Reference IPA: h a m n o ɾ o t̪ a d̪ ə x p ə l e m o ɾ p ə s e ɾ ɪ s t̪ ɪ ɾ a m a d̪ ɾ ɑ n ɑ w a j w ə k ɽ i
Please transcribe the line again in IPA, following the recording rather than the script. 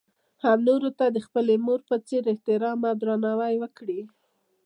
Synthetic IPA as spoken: h a m n o ɾ o t̪ a d̪ ə x p ə l e m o ɾ p ə t͡s e ɾ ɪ h t̪ ɪ ɾ ɑ m a d̪ ɾ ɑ n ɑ w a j w ə k ɽ i